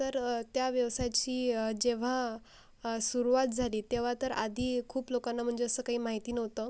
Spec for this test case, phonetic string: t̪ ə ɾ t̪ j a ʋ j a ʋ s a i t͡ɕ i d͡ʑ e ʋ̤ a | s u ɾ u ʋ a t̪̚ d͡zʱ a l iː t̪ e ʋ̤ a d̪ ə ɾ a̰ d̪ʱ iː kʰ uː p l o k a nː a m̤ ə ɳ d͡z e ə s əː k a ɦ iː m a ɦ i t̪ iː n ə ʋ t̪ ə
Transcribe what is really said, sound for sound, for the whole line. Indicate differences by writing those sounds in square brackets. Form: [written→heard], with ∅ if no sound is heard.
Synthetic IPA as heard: t̪ ə ɾ t̪ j a ʋ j [a→ə] ʋ s a [i→j] t͡ɕ [i→iː] d͡ʑ e ʋ̤ a | s u ɾ u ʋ a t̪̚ d͡zʱ a l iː t̪ e ʋ̤ a [d̪→t̪] ə ɾ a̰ d̪ʱ iː kʰ uː p l o k a nː a m̤ ə ɳ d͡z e ə s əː k a ɦ iː m a ɦ i t̪ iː n ə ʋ t̪ ə

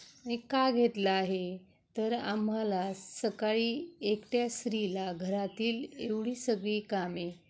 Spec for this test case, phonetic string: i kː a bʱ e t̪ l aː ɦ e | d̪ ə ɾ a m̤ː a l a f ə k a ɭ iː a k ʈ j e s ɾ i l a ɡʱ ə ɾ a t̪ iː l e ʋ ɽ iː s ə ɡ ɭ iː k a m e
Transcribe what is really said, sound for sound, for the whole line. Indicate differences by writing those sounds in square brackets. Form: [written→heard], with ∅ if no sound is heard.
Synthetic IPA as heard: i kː a [bʱ→ɡʱ] e t̪ l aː ɦ e | [d̪→t̪] ə ɾ a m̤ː a l a [f→s] ə k a ɭ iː [a→e] k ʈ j [e→a] s ɾ i l a ɡʱ ə ɾ a t̪ iː l e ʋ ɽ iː s ə ɡ ɭ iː k a m e

